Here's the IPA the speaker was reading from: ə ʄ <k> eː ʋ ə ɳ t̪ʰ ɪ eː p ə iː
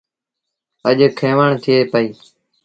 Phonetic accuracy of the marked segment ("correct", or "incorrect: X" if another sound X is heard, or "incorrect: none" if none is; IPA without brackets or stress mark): incorrect: kʰ